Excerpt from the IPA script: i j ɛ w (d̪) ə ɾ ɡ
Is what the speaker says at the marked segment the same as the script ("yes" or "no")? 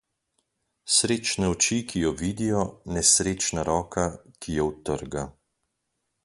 no